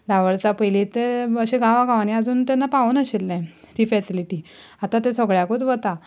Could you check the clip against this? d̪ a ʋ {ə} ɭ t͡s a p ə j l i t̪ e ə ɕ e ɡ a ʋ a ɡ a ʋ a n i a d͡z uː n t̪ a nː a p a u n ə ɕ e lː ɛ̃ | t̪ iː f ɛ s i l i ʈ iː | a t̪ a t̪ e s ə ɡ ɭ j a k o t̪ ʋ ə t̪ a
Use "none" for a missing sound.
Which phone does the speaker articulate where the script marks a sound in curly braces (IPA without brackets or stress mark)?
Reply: ə